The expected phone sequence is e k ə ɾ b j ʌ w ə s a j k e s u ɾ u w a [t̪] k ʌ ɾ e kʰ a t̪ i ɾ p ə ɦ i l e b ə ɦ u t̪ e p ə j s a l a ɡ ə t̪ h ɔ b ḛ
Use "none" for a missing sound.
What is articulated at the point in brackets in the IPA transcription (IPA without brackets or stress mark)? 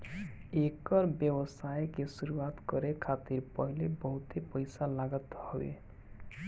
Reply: t̪